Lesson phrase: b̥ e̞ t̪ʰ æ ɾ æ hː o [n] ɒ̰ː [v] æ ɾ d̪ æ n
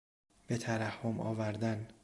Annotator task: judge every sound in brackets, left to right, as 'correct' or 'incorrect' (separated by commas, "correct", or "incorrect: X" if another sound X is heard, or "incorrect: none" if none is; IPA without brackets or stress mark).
incorrect: m, correct